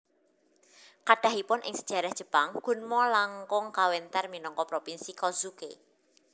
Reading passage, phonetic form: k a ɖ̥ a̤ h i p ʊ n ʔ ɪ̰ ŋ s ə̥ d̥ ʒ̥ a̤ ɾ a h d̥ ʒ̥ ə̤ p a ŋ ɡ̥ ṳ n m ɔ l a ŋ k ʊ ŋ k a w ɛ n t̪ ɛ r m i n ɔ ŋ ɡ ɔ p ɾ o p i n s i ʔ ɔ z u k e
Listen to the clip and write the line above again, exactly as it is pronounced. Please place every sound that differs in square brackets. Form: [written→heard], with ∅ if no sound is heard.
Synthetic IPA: k a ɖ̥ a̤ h i p ʊ n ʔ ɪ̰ ŋ s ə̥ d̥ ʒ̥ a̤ ɾ a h d̥ ʒ̥ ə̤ p a ŋ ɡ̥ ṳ n m ɔ l a ŋ k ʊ ŋ k a w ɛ n t̪ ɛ r m i n ɔ ŋ [ɡ→k] ɔ p ɾ o p i n s i [ʔ→k] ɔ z u k e